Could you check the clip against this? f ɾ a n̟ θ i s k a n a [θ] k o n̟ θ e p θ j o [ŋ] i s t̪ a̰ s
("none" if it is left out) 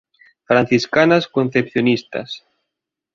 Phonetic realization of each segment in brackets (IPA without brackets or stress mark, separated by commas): s, n